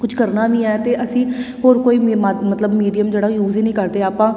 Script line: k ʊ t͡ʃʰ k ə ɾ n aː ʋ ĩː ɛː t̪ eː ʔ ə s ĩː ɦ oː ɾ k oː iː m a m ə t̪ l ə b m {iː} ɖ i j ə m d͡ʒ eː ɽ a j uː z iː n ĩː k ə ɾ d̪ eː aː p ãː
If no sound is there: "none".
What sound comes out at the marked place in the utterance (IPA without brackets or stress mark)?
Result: iː